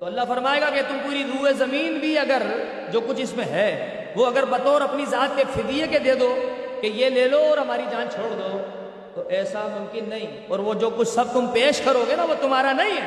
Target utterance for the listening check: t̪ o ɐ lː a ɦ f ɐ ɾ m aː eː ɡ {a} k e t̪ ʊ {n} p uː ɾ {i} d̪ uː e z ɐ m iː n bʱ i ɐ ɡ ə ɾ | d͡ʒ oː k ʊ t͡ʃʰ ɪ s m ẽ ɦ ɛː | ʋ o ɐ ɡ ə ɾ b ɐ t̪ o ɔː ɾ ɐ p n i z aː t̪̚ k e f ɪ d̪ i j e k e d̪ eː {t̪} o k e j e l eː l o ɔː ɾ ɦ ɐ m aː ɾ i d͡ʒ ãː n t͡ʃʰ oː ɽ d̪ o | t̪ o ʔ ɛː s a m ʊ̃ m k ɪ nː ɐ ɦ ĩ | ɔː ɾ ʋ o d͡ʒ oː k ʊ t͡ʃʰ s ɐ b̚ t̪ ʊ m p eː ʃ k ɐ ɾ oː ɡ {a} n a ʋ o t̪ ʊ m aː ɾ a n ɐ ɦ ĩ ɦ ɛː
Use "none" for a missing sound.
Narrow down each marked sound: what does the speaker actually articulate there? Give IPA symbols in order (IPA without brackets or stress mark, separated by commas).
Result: a, m, i, d̪, e